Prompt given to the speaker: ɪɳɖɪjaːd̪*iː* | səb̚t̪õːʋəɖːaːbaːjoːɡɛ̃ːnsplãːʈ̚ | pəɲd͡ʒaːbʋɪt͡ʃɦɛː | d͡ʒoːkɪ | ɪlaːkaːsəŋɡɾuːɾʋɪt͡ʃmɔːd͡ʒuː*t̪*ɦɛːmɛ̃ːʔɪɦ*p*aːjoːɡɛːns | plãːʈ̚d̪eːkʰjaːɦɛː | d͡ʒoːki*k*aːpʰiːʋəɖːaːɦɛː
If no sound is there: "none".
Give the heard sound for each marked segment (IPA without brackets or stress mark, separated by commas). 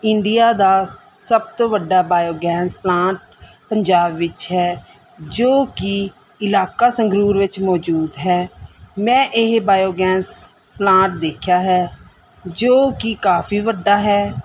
aː, d̪, b, k